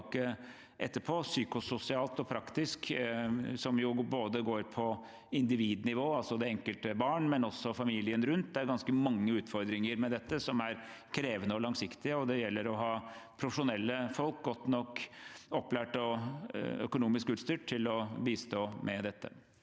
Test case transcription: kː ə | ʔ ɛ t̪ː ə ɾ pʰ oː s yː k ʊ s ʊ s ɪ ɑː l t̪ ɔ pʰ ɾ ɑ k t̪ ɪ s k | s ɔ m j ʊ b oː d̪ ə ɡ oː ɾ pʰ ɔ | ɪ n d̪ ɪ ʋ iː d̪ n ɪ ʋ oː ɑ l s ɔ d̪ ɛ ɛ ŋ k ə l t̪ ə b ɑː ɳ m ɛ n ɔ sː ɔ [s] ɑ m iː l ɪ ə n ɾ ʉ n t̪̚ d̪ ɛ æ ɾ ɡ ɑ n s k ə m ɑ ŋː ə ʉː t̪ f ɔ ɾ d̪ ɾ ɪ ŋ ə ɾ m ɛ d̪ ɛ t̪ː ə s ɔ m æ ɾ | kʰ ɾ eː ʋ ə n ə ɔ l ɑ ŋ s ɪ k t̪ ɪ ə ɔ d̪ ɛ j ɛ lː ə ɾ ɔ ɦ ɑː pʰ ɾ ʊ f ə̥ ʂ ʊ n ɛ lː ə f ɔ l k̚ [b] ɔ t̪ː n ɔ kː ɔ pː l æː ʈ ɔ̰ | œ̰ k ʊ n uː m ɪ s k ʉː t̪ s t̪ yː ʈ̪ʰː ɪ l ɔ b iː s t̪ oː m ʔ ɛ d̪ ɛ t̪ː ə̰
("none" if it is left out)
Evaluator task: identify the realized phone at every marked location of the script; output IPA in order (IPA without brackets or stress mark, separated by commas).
f, ɡ